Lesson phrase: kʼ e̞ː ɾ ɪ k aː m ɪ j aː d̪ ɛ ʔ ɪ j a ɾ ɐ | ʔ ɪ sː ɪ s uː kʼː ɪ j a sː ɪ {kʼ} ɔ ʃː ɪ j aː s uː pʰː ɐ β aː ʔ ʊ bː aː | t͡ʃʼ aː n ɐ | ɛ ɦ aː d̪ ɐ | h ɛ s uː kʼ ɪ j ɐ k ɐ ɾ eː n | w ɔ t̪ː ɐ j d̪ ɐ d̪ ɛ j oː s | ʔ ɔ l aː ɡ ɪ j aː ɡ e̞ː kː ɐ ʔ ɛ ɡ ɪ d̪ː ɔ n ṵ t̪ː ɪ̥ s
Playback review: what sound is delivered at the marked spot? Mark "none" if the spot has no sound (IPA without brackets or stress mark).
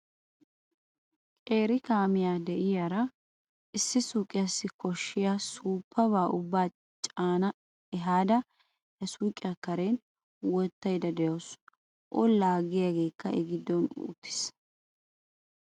k